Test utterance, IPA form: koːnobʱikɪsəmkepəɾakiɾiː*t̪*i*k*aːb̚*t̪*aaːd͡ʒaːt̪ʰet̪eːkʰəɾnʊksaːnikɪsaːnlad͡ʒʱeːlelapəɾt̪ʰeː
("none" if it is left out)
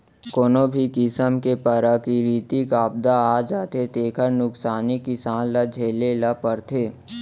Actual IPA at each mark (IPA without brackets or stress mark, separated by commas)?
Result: t̪, k, d̪